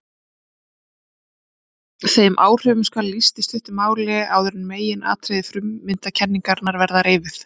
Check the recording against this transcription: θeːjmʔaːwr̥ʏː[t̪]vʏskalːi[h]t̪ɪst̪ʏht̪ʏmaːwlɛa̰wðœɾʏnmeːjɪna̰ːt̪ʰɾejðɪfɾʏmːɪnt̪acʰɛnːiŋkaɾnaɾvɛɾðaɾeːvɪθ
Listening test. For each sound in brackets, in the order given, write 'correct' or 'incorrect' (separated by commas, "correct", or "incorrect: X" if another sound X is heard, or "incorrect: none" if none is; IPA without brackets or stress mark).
incorrect: none, incorrect: s